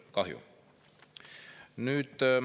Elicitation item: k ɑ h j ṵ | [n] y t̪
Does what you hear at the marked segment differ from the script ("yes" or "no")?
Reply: no